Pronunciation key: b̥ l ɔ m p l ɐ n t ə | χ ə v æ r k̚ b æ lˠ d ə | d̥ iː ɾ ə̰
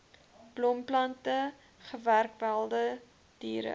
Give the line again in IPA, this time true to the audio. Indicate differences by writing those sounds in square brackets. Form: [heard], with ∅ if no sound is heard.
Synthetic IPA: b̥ l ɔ m p l ɐ n t ə | χ ə v æ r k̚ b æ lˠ d ə | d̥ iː ɾ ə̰